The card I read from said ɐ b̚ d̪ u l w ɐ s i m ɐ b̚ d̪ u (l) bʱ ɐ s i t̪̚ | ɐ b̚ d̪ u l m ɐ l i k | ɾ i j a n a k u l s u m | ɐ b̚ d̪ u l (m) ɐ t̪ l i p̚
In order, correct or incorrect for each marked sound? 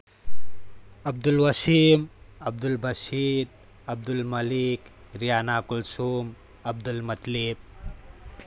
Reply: correct, correct

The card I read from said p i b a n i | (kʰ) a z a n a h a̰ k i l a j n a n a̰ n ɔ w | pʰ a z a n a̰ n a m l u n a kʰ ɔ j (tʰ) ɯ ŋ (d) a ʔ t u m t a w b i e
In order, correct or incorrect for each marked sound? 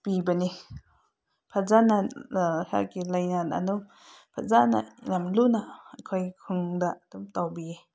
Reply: incorrect: pʰ, incorrect: kʰ, correct

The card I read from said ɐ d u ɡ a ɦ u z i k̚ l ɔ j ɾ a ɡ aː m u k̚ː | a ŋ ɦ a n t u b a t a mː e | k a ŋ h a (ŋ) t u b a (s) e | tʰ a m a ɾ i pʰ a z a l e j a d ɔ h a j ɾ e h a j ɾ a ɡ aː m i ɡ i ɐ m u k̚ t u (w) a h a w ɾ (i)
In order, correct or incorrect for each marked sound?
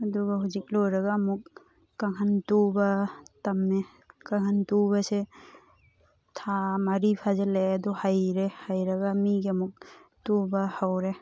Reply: incorrect: n, correct, incorrect: b, incorrect: e

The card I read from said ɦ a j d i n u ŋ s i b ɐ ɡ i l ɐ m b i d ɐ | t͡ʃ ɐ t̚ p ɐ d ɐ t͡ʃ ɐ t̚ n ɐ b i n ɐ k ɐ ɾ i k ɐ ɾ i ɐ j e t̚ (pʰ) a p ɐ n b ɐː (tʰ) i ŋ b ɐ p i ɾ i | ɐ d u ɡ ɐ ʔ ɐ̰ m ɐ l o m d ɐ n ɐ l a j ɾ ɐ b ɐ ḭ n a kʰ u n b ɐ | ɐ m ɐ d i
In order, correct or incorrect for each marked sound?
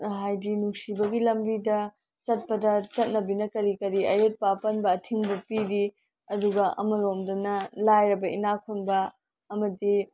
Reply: incorrect: p, correct

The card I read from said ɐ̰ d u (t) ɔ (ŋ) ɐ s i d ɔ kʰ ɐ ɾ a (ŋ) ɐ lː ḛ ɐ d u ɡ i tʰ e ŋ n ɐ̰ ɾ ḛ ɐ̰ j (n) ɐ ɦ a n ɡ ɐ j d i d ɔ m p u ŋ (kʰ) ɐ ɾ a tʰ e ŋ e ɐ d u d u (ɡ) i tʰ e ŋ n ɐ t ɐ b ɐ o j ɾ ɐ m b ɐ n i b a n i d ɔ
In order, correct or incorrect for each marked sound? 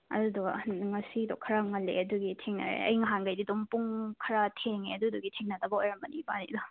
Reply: incorrect: d, correct, correct, incorrect: ŋ, correct, correct

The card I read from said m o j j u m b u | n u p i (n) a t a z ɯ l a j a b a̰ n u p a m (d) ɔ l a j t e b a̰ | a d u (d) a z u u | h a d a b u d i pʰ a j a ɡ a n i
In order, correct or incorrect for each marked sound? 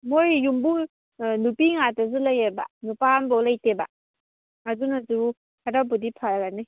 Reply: incorrect: ŋ, incorrect: b, incorrect: n

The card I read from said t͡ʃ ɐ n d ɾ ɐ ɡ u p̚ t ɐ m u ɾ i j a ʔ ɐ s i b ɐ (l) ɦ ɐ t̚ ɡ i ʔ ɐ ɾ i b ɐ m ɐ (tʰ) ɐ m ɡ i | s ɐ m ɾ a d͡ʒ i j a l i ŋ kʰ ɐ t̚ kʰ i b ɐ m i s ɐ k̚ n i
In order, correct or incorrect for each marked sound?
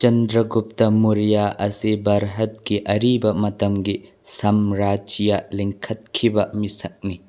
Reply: incorrect: ɾ, incorrect: t

